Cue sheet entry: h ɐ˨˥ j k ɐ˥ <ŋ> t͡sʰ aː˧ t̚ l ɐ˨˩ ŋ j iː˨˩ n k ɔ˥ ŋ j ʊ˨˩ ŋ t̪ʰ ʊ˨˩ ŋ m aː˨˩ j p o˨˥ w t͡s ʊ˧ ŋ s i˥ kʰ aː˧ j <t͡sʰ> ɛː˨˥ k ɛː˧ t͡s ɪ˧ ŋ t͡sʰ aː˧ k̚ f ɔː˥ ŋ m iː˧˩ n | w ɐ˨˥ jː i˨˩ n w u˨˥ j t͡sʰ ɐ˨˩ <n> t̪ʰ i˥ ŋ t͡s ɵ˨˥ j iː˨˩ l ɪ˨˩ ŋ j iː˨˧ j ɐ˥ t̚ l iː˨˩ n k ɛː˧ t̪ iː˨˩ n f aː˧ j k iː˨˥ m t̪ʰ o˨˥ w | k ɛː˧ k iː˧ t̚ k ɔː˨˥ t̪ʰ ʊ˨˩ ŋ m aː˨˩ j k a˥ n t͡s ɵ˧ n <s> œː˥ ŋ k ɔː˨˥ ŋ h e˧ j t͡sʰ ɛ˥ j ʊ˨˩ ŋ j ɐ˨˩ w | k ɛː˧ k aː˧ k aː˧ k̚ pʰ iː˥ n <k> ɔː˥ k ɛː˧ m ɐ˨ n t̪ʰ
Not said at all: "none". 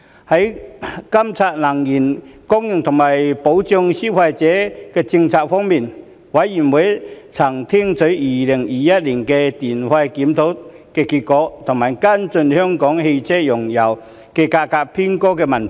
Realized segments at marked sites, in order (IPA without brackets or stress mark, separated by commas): m, t͡s, ŋ, h, k